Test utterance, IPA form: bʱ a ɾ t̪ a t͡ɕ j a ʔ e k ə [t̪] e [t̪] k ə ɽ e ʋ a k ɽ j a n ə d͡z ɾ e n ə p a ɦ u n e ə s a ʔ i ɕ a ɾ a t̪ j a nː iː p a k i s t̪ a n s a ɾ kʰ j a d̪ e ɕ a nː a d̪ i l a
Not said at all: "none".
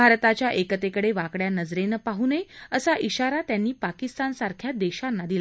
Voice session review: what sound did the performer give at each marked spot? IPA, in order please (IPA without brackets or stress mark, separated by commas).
t̪, none